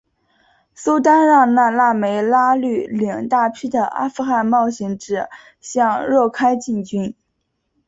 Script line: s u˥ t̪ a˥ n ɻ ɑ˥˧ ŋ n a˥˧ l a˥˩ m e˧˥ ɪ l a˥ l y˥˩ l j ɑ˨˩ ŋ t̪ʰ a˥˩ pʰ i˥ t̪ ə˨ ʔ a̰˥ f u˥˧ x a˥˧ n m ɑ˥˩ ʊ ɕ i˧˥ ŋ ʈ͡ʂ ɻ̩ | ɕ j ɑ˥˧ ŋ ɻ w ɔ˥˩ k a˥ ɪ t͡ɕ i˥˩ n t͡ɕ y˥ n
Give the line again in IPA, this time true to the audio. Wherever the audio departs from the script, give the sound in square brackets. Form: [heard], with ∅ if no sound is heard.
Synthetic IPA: s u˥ t̪ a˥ n ɻ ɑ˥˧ ŋ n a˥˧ l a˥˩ m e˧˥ ɪ l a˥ l y˥˩ l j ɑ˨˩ ŋ [t̪] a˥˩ pʰ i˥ [d̪] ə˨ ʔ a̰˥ f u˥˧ x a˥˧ n m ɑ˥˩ ʊ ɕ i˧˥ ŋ ʈ͡ʂ ɻ̩ | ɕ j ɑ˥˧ ŋ ɻ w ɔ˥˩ [kʰ] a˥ ɪ t͡ɕ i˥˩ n t͡ɕ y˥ n